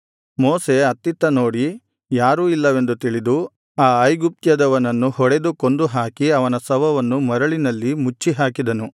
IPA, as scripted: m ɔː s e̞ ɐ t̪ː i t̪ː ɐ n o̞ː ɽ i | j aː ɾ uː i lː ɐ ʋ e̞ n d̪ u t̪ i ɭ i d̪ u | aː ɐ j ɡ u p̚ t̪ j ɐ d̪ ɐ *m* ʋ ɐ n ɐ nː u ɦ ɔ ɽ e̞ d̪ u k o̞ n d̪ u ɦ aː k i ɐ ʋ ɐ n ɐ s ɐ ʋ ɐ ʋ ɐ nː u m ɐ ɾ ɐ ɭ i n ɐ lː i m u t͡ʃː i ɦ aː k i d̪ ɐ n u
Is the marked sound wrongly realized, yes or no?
yes